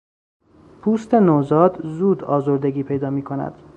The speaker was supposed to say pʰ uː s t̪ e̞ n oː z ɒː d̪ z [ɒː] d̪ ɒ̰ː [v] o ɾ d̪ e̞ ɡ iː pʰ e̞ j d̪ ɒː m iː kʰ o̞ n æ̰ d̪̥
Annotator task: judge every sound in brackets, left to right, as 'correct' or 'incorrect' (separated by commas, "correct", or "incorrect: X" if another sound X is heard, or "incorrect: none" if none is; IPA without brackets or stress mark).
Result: incorrect: uː, incorrect: z